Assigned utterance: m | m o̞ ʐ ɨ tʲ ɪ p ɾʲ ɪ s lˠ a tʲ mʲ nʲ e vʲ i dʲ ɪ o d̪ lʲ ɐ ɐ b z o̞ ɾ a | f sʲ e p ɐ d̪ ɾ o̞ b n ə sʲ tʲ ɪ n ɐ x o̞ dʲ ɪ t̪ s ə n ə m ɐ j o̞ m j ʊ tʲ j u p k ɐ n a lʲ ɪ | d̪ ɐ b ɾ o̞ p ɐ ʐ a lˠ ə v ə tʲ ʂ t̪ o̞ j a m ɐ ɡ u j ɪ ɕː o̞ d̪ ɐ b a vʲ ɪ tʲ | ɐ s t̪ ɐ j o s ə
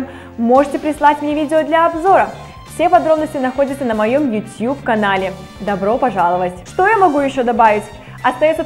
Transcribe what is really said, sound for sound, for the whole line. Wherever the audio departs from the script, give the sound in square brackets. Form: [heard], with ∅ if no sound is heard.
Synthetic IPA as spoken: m | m o̞ ʐ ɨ tʲ ɪ p ɾʲ ɪ s lˠ a tʲ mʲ nʲ e vʲ i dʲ ɪ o d̪ lʲ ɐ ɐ b z o̞ ɾ [ə] | f sʲ e p ɐ d̪ ɾ o̞ b n ə sʲ tʲ ɪ n ɐ x o̞ dʲ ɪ t̪ s ə n ə m ɐ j o̞ m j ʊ tʲ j u p k ɐ n a lʲ ɪ | d̪ ɐ b ɾ o̞ p ɐ ʐ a lˠ ə v ə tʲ ʂ t̪ o̞ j a m ɐ ɡ u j ɪ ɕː o̞ d̪ ɐ b a vʲ ɪ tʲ | ɐ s t̪ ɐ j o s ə